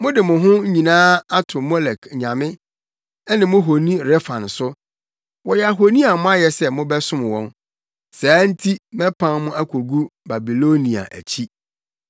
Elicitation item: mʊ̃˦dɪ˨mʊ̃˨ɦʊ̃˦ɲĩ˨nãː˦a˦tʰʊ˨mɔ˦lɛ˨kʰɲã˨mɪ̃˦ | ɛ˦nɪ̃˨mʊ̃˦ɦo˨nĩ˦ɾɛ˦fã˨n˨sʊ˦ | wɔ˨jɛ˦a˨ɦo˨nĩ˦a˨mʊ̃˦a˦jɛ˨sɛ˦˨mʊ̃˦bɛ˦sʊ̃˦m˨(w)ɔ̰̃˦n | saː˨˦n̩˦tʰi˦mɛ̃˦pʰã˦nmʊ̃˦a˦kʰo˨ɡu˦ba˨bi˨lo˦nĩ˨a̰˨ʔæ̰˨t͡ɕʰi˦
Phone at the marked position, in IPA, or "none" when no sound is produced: w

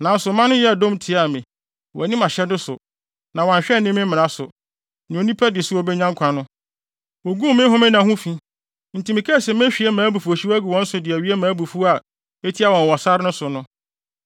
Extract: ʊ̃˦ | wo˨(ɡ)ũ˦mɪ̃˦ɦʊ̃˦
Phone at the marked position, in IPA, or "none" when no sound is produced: ɡ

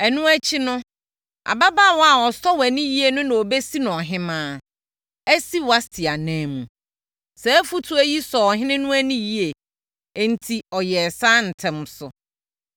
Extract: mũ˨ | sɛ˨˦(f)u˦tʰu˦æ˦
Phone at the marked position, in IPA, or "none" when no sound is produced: f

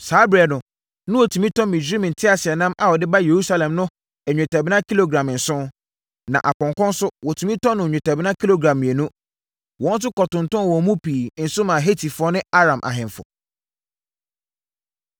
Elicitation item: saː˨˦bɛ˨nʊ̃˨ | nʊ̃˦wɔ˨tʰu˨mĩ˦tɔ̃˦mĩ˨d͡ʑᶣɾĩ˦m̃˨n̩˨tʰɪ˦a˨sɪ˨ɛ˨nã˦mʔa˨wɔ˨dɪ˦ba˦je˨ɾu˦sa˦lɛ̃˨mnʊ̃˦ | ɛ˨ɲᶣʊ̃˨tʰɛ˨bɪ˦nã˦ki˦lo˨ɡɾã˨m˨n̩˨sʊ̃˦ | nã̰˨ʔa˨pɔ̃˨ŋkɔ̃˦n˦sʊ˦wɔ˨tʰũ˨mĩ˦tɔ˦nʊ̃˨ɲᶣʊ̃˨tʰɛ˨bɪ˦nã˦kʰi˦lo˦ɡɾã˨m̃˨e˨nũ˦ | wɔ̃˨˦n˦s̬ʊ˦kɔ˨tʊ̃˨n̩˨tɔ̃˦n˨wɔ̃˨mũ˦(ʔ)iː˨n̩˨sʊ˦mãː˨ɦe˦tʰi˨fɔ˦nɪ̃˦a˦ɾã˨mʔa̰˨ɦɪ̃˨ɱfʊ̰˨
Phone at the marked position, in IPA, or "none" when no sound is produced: p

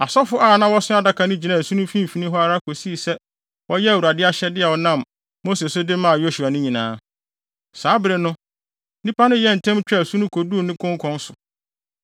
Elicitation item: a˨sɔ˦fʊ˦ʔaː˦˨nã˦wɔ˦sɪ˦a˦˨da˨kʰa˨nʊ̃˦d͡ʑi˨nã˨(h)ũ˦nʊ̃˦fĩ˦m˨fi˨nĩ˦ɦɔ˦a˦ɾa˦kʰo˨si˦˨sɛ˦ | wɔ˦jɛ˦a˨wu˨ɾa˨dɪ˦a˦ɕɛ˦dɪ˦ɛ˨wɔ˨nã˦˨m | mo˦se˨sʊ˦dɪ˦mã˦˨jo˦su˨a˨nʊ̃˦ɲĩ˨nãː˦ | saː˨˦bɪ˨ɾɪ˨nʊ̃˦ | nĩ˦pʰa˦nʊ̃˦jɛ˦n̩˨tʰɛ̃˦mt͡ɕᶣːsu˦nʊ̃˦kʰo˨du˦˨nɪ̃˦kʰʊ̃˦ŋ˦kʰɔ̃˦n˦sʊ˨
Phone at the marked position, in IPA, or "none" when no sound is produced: s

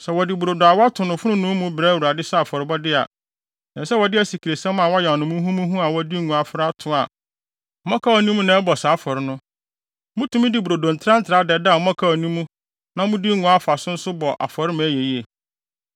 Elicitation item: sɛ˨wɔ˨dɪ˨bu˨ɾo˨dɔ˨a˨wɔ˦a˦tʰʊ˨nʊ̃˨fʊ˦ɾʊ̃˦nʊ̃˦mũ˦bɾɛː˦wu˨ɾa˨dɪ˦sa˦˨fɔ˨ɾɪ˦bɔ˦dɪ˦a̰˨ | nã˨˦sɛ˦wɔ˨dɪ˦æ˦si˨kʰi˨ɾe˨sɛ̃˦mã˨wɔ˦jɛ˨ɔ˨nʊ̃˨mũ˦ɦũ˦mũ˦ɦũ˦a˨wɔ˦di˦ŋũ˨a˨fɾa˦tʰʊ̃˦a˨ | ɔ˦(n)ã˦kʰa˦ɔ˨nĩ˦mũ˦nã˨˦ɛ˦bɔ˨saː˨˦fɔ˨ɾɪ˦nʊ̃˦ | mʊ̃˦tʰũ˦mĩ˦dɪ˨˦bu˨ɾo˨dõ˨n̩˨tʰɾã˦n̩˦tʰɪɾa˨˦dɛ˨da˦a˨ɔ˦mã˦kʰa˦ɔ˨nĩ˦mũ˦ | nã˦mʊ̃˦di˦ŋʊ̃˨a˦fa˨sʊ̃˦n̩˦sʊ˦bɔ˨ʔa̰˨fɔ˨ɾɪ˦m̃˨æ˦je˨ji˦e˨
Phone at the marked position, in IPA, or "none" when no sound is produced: m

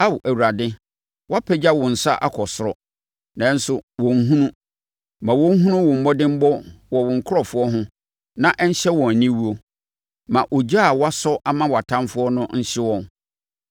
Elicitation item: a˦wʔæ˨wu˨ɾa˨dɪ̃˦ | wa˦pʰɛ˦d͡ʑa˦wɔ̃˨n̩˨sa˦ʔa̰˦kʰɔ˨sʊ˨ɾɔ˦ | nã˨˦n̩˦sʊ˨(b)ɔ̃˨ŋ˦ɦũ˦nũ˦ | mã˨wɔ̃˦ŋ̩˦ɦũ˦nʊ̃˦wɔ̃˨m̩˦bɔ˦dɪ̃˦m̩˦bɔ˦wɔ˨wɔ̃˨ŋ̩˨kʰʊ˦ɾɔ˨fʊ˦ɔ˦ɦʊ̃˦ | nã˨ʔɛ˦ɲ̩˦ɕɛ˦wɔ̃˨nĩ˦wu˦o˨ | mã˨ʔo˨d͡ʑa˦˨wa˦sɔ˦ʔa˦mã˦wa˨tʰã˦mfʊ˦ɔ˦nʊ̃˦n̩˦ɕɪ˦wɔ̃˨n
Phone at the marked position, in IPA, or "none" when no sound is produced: w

